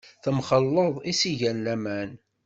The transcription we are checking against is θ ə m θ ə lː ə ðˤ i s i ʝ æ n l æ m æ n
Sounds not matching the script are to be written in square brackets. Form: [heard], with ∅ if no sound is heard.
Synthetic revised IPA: θ ə m [χ] ə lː ə ðˤ i s i ʝ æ n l æ m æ n